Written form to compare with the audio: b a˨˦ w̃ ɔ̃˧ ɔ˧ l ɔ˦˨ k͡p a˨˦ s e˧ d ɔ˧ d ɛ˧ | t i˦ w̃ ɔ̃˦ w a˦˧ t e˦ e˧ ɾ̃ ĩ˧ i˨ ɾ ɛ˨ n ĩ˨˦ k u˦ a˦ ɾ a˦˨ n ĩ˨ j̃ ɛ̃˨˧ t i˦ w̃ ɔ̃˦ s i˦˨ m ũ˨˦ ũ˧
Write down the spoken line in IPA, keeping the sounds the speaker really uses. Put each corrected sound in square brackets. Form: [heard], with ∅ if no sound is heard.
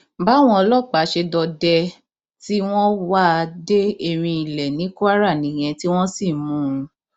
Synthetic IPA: b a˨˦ w̃ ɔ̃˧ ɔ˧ l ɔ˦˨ k͡p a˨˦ [ʃ] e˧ d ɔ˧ d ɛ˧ | t i˦ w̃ ɔ̃˦ w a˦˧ [d] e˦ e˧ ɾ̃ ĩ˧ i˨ [l] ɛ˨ n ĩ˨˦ k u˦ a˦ ɾ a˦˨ n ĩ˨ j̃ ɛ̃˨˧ t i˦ w̃ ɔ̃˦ s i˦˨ m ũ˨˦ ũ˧